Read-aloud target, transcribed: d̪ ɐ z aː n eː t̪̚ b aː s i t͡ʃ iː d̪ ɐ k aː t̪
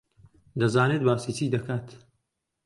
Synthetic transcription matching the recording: d̪ ɐ z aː n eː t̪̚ b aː s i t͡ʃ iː d̪ ɐ k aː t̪

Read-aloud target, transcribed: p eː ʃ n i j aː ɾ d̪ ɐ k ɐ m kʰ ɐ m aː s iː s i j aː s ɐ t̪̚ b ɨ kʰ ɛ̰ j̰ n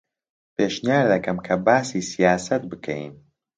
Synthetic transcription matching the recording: p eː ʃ n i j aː ɾ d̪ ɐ k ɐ m kʰ ɐ b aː s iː s i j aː s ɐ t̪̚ b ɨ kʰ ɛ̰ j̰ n

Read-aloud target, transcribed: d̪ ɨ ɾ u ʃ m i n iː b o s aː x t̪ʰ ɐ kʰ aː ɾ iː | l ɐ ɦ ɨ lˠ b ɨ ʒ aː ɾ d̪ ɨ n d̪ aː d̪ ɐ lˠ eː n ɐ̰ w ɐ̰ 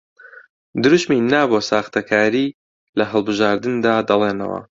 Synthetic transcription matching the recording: d̪ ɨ ɾ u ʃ m i n aː b o s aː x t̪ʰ ɐ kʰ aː ɾ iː | l ɐ ɦ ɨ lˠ b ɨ ʒ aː ɾ d̪ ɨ n d̪ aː d̪ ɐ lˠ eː n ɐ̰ w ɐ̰

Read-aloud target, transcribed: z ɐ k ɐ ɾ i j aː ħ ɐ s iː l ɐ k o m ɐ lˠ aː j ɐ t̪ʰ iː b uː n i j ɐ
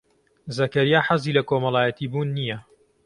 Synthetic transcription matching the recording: z ɐ k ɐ ɾ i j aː ħ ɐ z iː l ɐ k o m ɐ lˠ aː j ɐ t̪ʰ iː b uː nː i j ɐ

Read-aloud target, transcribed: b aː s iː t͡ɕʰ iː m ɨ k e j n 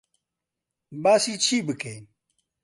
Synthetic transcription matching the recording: b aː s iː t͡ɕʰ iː b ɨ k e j n

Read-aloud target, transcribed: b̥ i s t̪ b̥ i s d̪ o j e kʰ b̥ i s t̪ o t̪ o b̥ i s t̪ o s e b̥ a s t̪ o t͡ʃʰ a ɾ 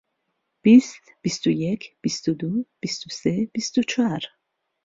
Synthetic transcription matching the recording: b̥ i s t̪ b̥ i s t̪ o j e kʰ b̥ i s t̪ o d̪ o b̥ i s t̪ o s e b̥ i s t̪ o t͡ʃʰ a ɾ

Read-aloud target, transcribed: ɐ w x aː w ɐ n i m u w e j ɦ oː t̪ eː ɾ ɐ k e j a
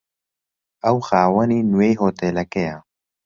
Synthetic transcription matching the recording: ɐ w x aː w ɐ n i n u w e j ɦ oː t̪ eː l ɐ k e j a

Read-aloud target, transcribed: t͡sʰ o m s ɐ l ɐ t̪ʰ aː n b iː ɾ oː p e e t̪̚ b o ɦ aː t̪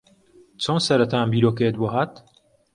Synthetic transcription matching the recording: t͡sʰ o n s ɐ ɾ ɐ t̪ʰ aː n b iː ɾ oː k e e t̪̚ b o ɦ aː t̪

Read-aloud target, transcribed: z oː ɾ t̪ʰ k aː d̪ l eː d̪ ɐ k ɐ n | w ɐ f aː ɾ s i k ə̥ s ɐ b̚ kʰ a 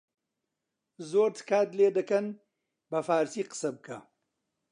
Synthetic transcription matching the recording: z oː ɾ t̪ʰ k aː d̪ l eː d̪ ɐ k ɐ n | b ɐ f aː ɾ s i q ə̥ s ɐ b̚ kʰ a

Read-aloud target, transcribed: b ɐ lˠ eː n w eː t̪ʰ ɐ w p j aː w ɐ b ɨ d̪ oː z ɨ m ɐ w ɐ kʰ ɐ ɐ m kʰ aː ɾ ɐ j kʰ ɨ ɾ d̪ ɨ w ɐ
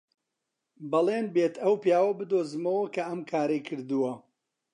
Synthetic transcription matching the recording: b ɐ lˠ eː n b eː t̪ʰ ɐ w p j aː w ɐ b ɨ d̪ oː z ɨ m ɐ w ɐ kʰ ɐ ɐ m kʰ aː ɾ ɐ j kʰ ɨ ɾ d̪ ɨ w ɐ

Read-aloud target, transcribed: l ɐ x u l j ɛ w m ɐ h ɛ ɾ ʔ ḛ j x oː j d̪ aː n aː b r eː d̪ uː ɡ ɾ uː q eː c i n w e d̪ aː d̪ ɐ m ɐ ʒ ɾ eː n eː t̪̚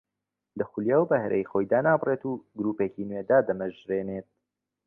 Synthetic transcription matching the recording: l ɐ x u l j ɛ w b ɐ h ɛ ɾ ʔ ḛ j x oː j d̪ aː n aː b r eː t̪ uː ɡ ɾ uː p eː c i n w e d̪ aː d̪ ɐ m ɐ ʒ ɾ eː n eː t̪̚

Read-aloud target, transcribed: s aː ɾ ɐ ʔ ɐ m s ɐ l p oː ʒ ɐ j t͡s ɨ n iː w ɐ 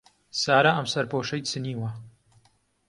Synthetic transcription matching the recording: s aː ɾ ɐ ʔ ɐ m s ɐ ɾ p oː ʃ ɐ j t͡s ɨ n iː w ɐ

